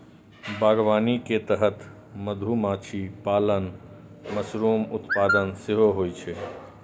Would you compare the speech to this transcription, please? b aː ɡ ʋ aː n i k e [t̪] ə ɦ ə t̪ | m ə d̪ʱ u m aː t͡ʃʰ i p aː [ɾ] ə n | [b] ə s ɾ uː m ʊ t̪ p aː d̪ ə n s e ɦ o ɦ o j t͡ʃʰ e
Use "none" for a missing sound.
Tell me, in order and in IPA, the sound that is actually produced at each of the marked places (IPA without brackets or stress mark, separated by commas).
t̪, l, m